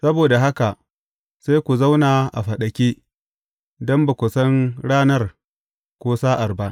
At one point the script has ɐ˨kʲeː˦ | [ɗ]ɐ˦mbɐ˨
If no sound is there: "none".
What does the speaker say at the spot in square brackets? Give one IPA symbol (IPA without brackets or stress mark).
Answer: d